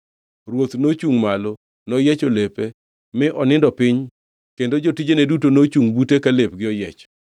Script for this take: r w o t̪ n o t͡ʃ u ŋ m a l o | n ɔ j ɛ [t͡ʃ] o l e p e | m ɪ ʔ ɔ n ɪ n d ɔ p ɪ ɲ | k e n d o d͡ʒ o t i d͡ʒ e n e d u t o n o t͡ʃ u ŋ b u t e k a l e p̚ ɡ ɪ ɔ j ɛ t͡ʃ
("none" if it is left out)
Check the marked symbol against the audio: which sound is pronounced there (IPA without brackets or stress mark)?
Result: t͡ʃ